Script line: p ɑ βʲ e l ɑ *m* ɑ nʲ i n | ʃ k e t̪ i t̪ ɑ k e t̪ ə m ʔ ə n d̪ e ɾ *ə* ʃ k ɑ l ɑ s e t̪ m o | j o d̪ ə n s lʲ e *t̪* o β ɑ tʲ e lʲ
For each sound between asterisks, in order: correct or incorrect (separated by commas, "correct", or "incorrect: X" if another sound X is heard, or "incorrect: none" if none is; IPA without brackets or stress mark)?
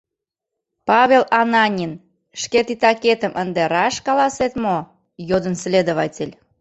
incorrect: n, incorrect: ɑ, incorrect: d̪